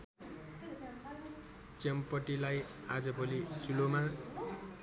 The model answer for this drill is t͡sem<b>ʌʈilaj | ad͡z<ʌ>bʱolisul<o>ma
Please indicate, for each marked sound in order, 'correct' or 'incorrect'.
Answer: incorrect, correct, correct

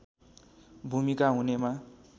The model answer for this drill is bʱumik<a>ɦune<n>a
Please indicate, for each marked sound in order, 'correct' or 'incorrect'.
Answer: correct, incorrect

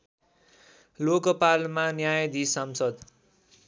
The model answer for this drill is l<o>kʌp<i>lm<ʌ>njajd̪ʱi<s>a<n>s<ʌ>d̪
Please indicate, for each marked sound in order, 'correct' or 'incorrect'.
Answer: correct, incorrect, incorrect, correct, incorrect, correct

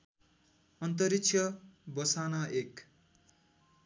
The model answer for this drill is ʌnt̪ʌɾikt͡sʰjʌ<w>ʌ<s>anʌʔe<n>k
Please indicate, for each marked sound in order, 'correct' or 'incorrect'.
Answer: incorrect, correct, incorrect

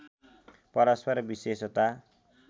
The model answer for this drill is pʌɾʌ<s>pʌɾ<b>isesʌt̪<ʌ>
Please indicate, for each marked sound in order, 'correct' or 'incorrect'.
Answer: correct, correct, incorrect

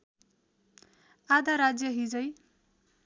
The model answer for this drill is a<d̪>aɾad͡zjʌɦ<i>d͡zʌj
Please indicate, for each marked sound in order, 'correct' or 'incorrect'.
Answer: correct, correct

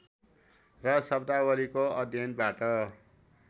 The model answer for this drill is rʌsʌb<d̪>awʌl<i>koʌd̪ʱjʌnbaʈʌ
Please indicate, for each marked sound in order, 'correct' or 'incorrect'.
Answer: correct, correct

